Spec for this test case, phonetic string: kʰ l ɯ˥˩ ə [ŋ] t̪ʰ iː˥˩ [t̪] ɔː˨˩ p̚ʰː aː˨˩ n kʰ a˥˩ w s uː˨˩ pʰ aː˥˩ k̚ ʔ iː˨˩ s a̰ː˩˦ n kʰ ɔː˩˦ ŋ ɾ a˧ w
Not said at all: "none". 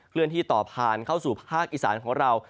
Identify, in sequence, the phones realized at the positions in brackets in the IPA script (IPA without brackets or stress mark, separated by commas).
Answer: n, t̪